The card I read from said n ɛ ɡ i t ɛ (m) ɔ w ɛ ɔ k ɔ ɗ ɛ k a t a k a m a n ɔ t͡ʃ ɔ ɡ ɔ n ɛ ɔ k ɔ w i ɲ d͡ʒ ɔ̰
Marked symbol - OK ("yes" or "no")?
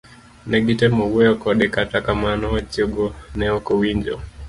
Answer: yes